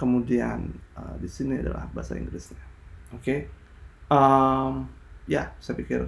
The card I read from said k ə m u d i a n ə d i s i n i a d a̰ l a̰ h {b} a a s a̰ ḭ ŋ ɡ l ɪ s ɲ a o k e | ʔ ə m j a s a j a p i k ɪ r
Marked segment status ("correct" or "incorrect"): correct